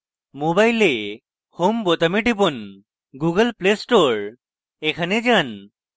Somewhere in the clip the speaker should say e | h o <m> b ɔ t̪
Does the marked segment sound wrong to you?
no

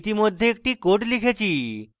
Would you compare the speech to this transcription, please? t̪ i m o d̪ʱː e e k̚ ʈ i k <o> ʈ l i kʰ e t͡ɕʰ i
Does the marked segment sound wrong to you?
no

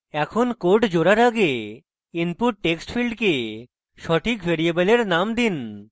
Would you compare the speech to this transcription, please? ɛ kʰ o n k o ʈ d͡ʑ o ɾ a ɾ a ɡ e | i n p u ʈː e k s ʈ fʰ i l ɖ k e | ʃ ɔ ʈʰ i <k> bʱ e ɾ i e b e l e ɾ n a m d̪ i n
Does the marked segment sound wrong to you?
no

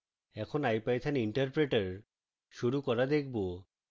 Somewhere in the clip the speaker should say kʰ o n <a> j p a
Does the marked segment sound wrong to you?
no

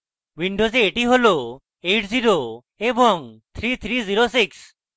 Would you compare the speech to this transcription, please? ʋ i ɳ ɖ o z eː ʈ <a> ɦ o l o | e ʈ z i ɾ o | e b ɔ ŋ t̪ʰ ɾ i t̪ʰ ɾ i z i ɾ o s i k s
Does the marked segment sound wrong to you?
yes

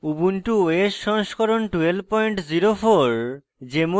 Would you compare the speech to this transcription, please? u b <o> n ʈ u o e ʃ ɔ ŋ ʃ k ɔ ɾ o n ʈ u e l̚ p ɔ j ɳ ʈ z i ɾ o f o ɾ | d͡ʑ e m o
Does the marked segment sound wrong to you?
yes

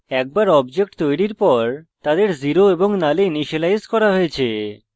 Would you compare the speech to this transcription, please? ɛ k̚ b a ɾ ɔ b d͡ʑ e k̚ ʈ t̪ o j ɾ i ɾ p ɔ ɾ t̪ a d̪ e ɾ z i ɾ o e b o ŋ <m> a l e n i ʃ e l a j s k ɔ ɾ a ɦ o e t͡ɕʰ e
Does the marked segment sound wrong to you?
yes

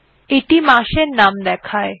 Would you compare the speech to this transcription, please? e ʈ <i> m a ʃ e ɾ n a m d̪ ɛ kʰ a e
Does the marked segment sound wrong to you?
no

